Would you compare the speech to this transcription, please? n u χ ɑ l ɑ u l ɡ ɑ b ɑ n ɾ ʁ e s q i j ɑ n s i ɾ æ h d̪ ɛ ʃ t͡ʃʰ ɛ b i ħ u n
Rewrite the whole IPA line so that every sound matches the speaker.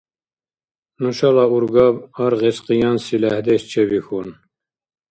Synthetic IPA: n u ʃ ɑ l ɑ u ɾ ɡ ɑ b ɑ ɾ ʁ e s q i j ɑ n s i l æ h d̪ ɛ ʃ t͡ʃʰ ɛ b i x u n